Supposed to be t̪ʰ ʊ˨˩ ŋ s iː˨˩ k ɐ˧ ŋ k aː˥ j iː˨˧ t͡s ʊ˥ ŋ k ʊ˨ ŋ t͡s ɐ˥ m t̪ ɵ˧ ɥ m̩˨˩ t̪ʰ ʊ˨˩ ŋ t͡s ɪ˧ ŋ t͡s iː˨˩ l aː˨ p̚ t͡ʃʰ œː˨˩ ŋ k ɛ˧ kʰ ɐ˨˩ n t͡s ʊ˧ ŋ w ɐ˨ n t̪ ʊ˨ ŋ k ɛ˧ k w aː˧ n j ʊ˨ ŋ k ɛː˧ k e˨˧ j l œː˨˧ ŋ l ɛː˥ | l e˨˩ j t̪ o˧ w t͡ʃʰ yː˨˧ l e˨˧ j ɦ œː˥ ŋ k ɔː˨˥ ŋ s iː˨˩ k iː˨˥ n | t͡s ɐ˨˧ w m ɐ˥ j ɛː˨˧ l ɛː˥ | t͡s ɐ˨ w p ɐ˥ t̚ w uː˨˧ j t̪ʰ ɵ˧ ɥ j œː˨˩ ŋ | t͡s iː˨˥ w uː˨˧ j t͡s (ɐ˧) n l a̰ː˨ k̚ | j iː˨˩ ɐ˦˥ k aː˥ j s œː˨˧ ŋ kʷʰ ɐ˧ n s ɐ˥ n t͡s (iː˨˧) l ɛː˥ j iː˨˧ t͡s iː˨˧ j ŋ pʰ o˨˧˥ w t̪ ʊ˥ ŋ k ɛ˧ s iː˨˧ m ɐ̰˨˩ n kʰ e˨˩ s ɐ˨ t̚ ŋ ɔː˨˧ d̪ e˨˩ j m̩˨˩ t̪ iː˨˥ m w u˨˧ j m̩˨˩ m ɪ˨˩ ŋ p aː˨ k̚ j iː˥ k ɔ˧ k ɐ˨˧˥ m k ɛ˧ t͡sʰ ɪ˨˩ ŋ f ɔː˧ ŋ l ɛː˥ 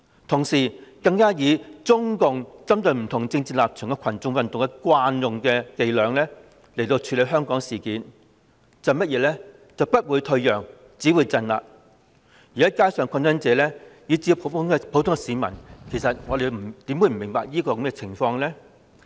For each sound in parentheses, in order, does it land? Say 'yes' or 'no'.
yes, no

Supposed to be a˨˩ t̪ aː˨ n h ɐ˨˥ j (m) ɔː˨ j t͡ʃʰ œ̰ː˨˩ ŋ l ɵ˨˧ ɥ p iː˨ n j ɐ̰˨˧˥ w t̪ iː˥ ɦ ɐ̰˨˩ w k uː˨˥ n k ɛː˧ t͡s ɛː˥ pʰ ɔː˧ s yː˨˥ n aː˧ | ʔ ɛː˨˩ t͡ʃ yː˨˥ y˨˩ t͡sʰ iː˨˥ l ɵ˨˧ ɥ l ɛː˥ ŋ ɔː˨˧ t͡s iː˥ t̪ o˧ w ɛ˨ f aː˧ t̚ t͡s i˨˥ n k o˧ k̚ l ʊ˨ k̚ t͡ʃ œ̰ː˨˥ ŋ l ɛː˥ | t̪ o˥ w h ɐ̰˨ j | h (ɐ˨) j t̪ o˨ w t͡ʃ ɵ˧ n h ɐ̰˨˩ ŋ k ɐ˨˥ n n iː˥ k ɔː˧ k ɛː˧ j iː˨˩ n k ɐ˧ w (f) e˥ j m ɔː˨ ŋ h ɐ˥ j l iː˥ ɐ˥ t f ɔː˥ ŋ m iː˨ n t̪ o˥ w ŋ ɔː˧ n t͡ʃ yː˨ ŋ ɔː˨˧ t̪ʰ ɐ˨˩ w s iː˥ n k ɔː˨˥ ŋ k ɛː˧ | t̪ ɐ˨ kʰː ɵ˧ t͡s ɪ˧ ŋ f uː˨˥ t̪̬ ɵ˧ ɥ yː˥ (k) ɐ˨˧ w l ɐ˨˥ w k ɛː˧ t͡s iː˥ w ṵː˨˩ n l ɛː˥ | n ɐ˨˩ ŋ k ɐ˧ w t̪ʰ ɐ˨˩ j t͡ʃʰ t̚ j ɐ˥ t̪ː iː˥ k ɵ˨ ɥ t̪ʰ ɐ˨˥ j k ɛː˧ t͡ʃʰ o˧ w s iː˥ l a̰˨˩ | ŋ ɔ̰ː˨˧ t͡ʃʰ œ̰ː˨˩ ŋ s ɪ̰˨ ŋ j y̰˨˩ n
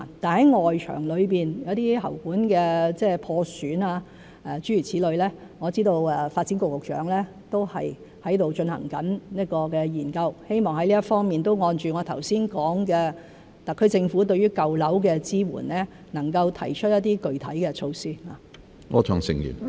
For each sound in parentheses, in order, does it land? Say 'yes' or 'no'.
no, no, no, yes

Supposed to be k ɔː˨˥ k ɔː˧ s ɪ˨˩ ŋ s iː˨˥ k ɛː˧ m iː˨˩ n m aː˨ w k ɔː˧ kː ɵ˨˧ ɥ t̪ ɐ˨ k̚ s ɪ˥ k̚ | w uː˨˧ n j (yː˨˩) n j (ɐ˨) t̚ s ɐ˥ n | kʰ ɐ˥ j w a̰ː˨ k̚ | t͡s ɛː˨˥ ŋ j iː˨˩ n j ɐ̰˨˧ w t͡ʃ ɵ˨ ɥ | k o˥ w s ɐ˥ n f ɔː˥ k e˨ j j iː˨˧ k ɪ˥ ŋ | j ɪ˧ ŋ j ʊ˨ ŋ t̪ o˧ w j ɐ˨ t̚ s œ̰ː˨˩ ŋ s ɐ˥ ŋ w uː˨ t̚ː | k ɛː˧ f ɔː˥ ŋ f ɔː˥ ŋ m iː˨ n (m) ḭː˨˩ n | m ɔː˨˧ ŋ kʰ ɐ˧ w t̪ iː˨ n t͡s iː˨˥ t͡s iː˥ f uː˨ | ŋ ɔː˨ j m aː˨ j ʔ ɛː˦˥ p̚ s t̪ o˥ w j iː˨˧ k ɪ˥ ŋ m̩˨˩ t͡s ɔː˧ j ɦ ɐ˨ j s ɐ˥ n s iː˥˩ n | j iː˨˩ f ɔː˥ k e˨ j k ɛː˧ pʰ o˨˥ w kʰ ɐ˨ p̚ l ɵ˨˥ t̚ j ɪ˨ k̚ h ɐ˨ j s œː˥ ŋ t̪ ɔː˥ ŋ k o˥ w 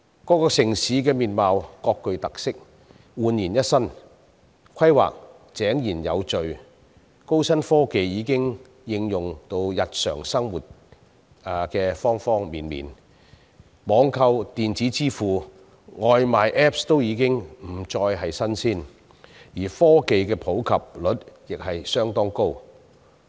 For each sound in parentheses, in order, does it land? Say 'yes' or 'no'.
no, no, yes

